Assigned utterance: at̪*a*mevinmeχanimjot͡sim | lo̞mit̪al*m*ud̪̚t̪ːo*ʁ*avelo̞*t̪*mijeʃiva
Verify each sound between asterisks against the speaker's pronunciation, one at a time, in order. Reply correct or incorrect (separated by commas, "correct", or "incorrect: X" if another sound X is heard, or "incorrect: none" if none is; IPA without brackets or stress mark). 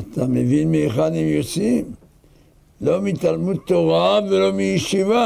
correct, correct, correct, incorrect: none